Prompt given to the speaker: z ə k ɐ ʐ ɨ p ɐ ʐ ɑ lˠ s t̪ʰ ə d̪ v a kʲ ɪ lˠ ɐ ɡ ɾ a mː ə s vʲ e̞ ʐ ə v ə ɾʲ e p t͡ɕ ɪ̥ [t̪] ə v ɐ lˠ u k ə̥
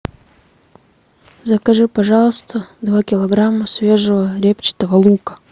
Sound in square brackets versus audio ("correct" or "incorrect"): correct